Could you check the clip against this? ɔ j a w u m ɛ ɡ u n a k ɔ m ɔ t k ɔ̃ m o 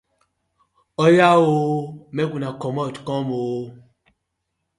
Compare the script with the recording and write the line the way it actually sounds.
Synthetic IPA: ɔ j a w o m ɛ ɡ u n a k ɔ m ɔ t k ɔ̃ m o